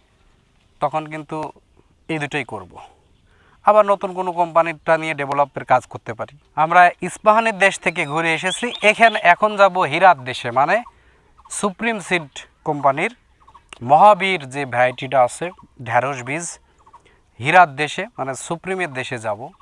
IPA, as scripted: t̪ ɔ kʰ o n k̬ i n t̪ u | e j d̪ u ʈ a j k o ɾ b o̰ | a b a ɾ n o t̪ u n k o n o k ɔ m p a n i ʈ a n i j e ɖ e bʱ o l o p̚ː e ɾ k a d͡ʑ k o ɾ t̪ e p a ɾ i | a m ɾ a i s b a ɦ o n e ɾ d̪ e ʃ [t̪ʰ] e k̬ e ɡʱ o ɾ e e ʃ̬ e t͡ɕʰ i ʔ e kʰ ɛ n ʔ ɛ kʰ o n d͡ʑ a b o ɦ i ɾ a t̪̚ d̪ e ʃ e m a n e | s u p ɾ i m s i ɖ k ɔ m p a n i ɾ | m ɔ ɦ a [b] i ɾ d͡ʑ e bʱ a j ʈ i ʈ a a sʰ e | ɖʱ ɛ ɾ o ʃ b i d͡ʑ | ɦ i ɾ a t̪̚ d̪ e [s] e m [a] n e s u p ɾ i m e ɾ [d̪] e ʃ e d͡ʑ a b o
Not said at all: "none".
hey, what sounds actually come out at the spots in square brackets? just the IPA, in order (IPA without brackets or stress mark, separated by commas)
t̪ʰ, b, ʃ, a, d̪